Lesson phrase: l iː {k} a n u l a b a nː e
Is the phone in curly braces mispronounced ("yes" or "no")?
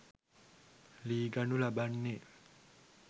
yes